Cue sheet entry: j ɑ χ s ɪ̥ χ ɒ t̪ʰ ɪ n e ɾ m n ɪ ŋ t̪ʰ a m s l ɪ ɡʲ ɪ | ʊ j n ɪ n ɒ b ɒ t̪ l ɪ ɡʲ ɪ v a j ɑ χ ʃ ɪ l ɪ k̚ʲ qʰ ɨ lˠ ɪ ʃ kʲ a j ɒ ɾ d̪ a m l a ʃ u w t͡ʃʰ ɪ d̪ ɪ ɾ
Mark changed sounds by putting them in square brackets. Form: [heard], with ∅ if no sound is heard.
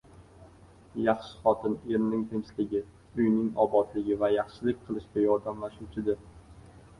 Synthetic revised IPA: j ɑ χ [ʃ] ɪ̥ χ ɒ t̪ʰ ɪ n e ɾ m n ɪ ŋ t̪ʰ [e] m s l ɪ ɡʲ ɪ | ʊ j n ɪ [ŋ] ɒ b ɒ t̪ l ɪ ɡʲ ɪ v a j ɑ χ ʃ ɪ l ɪ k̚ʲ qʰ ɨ lˠ ɪ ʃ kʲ a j ɒ ɾ d̪ a m l a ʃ u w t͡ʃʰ ɪ d̪ ɪ ɾ